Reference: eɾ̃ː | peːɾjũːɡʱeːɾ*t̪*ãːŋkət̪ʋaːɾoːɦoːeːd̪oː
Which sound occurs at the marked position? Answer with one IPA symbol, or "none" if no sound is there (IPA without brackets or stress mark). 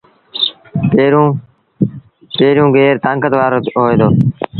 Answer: t̪